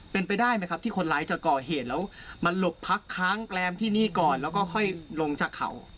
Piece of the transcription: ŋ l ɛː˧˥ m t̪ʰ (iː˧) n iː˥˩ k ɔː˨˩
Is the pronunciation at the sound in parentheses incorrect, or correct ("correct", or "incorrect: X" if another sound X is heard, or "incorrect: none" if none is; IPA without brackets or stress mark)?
incorrect: iː˥˩